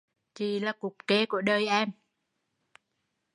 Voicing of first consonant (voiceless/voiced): voiceless